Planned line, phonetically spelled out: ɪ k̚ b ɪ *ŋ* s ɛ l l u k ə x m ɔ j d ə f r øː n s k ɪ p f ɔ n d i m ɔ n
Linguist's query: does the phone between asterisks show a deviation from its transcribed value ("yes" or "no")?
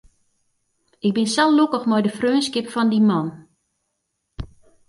yes